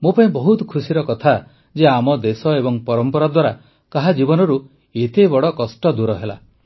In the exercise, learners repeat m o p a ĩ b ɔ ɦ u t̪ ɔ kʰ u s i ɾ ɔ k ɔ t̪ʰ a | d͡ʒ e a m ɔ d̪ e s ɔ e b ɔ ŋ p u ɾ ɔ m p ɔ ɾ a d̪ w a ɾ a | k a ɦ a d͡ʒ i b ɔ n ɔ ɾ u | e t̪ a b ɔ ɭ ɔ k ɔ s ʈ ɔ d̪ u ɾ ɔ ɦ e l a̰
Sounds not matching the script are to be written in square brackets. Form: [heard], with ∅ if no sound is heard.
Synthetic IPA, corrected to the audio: m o p a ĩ b ɔ ɦ u t̪ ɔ kʰ u s i ɾ ɔ k ɔ t̪ʰ a | d͡ʒ e a m ɔ d̪ e s ɔ e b ɔ ŋ p [ɔ] ɾ ɔ m p ɔ ɾ a d̪ w a ɾ a | k a ɦ a d͡ʒ i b ɔ n ɔ ɾ u | e t̪ [e] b ɔ [ɽ] ɔ k ɔ s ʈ ɔ d̪ u ɾ ɔ ɦ e l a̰

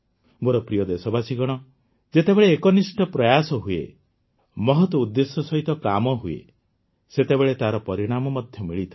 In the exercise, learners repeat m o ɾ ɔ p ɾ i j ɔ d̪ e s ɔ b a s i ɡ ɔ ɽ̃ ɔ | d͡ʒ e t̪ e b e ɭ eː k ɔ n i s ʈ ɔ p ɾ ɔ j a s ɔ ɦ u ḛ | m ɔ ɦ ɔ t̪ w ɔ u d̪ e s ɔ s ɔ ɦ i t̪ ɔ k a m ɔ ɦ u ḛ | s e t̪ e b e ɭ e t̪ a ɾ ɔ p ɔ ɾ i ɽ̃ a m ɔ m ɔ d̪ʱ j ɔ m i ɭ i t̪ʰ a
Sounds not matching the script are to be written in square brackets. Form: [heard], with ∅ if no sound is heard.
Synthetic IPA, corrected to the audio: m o ɾ ɔ p ɾ i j ɔ d̪ e s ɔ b a s i ɡ ɔ ɽ̃ ɔ | d͡ʒ e t̪ e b e ɭ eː k ɔ n i s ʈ ɔ p ɾ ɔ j a s ɔ ɦ u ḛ | m ɔ ɦ ɔ t̪ w ɔ u [d̪ː] e s ɔ s ɔ ɦ i t̪ ɔ k a m ɔ ɦ u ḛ | s e t̪ e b e ɭ e t̪ a ɾ ɔ p ɔ ɾ i ɽ̃ a m ɔ m ɔ d̪ʱ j ɔ m i ɭ i t̪ʰ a

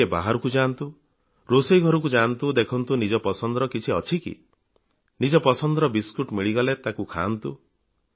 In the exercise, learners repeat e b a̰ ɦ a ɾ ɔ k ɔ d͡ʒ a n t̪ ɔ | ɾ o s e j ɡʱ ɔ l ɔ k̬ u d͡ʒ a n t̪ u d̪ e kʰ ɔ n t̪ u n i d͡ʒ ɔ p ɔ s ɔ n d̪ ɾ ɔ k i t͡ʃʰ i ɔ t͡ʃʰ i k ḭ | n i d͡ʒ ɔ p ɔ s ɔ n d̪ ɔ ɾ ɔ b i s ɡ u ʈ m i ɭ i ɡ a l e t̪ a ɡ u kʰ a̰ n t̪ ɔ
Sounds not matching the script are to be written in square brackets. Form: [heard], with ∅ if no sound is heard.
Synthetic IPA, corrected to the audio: e b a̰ ɦ a ɾ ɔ k [u] d͡ʒ a n t̪ [u] | ɾ o s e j ɡʱ ɔ [ɾ] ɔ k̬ u d͡ʒ a n t̪ u d̪ e kʰ ɔ n t̪ u n i d͡ʒ ɔ p ɔ s ɔ n d̪ ɾ ɔ k i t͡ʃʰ i ɔ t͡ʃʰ i k ḭ | n i d͡ʒ ɔ p ɔ s ɔ n d̪ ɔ ɾ ɔ b i s [k] u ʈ m i ɭ i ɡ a l e t̪ a [k] u kʰ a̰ n t̪ [u]

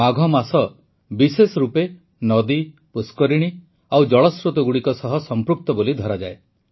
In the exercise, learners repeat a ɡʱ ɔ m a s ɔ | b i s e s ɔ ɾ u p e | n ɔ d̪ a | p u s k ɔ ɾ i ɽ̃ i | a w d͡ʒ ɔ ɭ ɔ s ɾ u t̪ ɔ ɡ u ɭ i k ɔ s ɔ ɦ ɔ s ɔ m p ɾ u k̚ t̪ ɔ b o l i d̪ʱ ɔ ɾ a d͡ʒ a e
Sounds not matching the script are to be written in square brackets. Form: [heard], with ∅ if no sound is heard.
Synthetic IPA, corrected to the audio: a ɡʱ ɔ m a s ɔ | b i s e s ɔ ɾ u p e | n ɔ d̪ [i] | p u s k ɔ ɾ i ɽ̃ i | a w d͡ʒ ɔ ɭ ɔ s ɾ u t̪ ɔ ɡ u [ɽ] i k ɔ s ɔ ɦ ɔ s ɔ m p ɾ u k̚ t̪ ɔ b o l i d̪ʱ ɔ ɾ a d͡ʒ a e

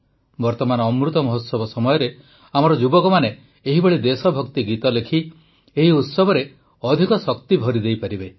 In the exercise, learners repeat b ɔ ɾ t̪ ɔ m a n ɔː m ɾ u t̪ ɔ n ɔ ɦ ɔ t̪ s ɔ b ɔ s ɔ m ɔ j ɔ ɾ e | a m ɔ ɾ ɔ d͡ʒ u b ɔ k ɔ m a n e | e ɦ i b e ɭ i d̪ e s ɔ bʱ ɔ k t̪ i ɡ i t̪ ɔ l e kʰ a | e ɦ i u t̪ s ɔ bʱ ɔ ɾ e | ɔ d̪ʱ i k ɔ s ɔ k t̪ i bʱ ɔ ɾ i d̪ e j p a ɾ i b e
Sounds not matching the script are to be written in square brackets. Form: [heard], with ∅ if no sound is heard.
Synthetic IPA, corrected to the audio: b ɔ ɾ t̪ ɔ m a n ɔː m ɾ u t̪ ɔ [m] ɔ ɦ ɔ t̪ s ɔ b ɔ s ɔ m ɔ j ɔ ɾ e | a m ɔ ɾ ɔ d͡ʒ u b ɔ k ɔ m a n e | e ɦ i b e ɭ i d̪ e s ɔ bʱ ɔ k t̪ i ɡ i t̪ ɔ l e kʰ [i] | e ɦ i u t̪ s ɔ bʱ ɔ ɾ e | ɔ d̪ʱ i k ɔ s ɔ k t̪ i bʱ ɔ ɾ i d̪ e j p a ɾ i b e

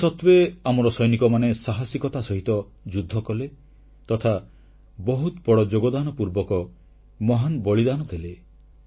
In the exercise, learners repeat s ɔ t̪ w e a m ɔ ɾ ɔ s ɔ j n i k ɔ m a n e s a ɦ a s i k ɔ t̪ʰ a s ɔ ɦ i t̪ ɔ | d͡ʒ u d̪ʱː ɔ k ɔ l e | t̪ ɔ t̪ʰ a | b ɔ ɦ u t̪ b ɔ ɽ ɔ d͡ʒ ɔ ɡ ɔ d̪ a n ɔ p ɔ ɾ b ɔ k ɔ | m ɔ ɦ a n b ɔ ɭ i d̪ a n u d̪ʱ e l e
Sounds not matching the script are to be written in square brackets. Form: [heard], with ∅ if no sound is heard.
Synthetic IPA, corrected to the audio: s ɔ t̪ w e a m ɔ ɾ ɔ s ɔ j n i k ɔ m a n e s a ɦ a s i k ɔ [t̪] a s ɔ ɦ i t̪ ɔ | d͡ʒ u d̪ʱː ɔ k ɔ l e | t̪ ɔ t̪ʰ a | b ɔ ɦ u t̪ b ɔ ɽ ɔ d͡ʒ [o] ɡ ɔ d̪ a n ɔ p [u] ɾ b ɔ k ɔ | m ɔ ɦ a n b ɔ ɭ i d̪ a n [ɔ] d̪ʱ e l e

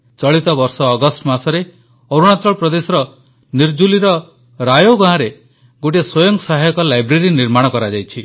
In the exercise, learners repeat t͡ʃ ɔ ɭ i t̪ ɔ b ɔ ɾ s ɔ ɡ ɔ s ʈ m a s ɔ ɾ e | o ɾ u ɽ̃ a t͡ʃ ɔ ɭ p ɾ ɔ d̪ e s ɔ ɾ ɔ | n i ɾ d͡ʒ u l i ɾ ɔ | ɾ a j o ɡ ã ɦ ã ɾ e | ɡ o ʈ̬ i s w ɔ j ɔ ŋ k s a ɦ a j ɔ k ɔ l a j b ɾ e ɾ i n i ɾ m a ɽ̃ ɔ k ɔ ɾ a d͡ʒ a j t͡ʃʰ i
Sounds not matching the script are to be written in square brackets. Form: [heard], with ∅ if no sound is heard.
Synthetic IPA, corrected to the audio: t͡ʃ ɔ ɭ i t̪ ɔ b ɔ ɾ s [ɔː] ɡ ɔ s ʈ m a s ɔ ɾ e | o ɾ u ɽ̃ a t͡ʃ ɔ ɭ p ɾ ɔ d̪ e s ɔ ɾ ɔ | n i ɾ d͡ʒ u l i ɾ ɔ | ɾ a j o ɡ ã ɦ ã ɾ e | ɡ o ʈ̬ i s w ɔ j ɔ ŋ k s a ɦ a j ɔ k ɔ l a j b ɾ e ɾ i n i ɾ m a ɽ̃ ɔ k ɔ ɾ a d͡ʒ a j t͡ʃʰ i

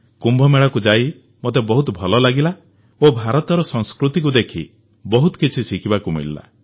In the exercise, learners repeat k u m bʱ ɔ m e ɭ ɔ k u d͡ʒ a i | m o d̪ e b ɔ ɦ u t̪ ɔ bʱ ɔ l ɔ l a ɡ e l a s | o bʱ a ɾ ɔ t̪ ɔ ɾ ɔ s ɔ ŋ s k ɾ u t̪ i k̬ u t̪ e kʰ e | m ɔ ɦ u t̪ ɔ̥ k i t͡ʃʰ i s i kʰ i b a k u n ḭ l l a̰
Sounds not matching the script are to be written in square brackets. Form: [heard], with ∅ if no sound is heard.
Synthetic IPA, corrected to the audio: k u m bʱ ɔ m e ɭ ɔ k u d͡ʒ a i | m o [t̪] e b ɔ ɦ u t̪ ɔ bʱ ɔ l ɔ l a ɡ [i] l a [∅] | o bʱ a ɾ ɔ t̪ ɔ ɾ ɔ s ɔ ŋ s k ɾ u t̪ i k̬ u [d̪] e kʰ [i] | [b] ɔ ɦ u t̪ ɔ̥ k i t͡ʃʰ i s i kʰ i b a k u [m] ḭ l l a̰

